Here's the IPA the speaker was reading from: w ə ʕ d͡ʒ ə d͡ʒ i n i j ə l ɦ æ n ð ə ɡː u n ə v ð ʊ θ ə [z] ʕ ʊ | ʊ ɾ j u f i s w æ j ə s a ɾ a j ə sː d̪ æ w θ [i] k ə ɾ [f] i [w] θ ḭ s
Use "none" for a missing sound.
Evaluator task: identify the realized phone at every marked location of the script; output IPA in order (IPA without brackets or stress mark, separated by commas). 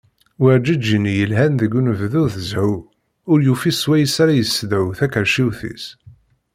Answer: z, æ, ʃ, w